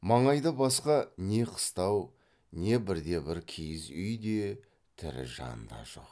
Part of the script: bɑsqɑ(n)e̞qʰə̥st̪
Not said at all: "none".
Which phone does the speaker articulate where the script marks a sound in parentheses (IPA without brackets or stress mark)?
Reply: n